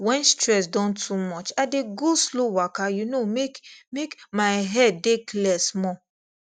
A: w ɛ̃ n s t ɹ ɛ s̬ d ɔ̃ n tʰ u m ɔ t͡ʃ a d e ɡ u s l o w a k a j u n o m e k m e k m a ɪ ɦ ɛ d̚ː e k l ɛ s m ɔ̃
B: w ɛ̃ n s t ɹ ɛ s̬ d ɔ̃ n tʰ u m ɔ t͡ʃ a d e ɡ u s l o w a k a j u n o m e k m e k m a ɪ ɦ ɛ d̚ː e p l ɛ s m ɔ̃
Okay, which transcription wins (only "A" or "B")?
A